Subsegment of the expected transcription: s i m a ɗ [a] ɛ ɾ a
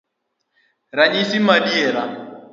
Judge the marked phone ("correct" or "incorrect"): incorrect